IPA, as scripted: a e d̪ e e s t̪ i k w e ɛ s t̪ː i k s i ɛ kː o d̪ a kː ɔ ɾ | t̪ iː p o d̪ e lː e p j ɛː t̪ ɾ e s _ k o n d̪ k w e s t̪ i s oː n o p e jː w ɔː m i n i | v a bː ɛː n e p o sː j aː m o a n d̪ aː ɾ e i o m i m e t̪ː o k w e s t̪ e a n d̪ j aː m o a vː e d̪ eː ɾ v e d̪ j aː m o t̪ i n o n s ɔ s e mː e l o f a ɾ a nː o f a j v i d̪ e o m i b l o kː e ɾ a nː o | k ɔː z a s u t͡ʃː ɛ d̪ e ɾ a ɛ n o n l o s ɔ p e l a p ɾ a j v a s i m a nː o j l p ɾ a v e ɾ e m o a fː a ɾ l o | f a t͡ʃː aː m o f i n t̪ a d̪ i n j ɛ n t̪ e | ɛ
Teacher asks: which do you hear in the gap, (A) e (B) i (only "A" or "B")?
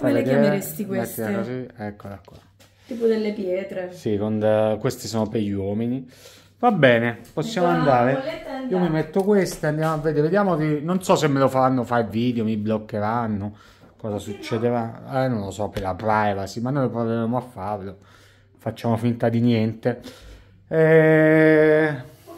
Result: B